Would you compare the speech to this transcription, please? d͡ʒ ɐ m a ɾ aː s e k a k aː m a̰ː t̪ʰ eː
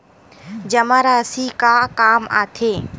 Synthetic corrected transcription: d͡ʒ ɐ m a ɾ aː s i k a k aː m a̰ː t̪ʰ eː